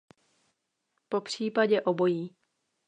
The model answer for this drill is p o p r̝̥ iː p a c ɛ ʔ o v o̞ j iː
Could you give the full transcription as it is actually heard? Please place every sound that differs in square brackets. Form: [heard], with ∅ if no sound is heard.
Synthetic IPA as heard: p o p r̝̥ iː p a [ɟ] ɛ ʔ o [b] o̞ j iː